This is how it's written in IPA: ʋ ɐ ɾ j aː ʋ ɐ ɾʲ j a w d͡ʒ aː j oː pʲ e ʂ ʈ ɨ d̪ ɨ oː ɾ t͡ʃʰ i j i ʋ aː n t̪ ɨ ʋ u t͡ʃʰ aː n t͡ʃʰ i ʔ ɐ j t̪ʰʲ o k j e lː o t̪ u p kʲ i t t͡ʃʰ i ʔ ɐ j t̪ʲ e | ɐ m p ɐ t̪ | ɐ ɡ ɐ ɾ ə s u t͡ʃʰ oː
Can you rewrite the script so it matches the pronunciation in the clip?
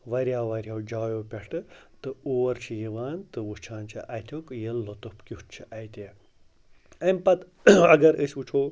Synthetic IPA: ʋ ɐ ɾ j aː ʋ ɐ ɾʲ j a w d͡ʒ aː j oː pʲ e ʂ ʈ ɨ t̪ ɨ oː ɾ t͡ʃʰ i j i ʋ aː n t̪ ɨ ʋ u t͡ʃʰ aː n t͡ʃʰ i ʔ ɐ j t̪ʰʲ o k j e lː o t̪ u p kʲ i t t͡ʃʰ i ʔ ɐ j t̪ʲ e | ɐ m p ɐ t̪ | ɐ ɡ ɐ ɾ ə s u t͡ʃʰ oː